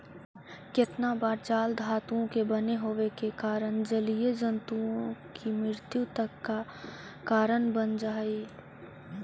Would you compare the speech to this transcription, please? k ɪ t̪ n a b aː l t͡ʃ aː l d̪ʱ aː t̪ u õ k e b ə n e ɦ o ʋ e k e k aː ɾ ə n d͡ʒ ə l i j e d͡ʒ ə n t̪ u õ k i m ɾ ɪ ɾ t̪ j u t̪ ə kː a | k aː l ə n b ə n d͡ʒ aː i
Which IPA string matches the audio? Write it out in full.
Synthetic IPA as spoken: k ɪ t̪ n a b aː ɾ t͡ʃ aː l d̪ʱ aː t̪ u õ k e b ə n e ɦ o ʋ e k e k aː ɾ ə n d͡ʒ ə l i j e d͡ʒ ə n t̪ u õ k i m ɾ ɪ ɾ t̪ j u t̪ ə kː a | k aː ɾ ə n b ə n d͡ʒ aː i